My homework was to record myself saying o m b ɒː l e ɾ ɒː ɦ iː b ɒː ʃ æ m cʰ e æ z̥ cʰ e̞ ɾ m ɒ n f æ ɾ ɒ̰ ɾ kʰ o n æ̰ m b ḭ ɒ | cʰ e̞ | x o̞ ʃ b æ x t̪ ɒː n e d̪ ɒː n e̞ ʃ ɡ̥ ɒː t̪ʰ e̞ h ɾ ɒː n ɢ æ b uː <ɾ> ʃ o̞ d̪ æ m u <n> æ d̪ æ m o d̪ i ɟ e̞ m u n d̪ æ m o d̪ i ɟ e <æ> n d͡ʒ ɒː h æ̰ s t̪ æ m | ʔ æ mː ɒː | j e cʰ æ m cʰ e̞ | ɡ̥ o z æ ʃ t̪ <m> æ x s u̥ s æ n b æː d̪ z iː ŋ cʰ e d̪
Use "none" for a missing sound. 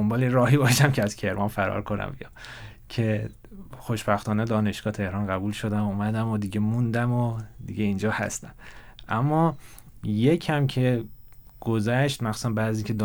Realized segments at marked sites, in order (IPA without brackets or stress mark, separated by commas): l, m, i, m